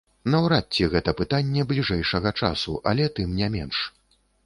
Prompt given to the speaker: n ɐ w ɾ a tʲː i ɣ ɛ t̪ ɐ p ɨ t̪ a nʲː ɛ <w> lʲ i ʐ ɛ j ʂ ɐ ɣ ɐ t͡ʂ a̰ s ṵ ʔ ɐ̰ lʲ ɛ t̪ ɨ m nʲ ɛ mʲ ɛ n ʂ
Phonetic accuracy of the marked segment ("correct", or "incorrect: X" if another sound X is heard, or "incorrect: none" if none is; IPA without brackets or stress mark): incorrect: b